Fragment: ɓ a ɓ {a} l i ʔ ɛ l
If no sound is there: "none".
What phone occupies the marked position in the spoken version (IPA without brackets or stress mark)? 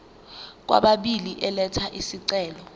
i